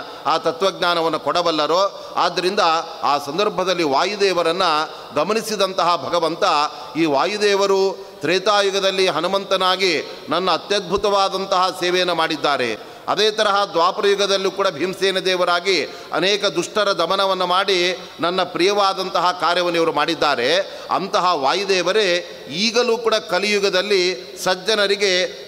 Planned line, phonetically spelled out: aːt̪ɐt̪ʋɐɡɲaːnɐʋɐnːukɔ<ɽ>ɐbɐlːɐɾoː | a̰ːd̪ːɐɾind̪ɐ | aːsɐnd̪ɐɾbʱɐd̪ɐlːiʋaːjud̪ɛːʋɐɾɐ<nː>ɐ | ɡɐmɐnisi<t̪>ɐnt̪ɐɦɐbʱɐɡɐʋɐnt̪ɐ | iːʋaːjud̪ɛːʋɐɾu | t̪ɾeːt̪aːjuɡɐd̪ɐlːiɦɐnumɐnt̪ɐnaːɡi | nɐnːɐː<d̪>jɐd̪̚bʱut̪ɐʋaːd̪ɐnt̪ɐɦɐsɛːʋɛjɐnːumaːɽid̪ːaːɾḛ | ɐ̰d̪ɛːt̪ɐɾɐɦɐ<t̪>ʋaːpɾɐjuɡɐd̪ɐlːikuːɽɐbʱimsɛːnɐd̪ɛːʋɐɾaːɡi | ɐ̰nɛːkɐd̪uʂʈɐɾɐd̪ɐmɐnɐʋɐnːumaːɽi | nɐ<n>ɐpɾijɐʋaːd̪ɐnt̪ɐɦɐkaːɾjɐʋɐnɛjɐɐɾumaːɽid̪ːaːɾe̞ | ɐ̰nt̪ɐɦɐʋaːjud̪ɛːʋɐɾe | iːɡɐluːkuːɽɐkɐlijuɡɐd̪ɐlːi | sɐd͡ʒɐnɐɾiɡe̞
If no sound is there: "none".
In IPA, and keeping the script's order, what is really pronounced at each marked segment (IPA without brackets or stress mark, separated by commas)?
ɽ, nː, d̪, t̪, d̪, nː